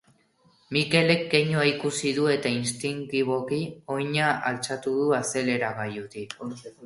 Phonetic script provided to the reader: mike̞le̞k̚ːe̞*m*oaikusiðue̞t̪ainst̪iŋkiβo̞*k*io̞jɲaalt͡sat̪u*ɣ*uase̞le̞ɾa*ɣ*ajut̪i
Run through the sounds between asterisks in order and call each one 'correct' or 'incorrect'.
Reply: incorrect: ɲ, correct, incorrect: ð, correct

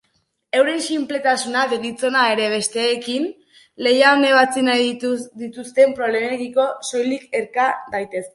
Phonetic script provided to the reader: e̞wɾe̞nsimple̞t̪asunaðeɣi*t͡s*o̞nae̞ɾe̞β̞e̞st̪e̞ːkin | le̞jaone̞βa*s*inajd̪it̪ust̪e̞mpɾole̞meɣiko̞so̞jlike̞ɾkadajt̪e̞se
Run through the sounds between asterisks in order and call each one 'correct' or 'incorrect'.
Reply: correct, incorrect: t͡s

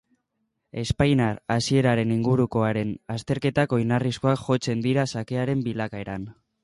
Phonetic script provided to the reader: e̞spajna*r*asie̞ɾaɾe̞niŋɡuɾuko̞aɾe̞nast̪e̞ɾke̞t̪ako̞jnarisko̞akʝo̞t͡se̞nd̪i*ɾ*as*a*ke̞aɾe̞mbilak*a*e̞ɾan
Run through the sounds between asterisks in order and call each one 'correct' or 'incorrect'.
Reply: incorrect: ɾ, correct, correct, correct

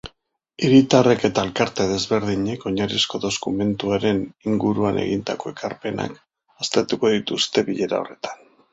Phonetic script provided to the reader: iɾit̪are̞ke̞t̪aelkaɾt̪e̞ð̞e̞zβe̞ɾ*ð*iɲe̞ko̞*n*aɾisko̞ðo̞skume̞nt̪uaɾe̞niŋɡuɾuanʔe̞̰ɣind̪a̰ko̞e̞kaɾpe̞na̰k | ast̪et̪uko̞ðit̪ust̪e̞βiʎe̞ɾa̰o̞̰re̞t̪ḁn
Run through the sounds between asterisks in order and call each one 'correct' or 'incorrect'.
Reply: correct, incorrect: ɲ

